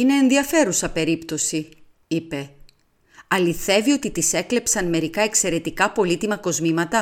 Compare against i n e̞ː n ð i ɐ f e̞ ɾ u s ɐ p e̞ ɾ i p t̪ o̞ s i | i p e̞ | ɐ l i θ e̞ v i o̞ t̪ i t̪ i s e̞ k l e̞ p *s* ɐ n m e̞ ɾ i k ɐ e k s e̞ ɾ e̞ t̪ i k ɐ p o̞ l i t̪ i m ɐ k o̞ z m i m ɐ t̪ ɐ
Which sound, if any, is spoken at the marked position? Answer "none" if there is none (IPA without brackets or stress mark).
s